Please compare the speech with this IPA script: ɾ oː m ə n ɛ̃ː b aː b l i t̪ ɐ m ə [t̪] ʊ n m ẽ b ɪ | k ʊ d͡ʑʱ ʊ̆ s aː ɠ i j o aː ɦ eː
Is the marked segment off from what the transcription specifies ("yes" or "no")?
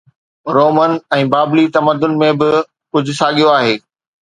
yes